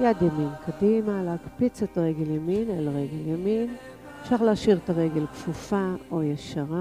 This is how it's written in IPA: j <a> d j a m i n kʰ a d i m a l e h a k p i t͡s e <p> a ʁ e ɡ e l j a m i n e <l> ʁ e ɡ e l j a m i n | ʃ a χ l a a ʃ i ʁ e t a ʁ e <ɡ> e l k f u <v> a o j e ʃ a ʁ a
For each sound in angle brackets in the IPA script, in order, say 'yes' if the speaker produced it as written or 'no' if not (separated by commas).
yes, no, yes, yes, no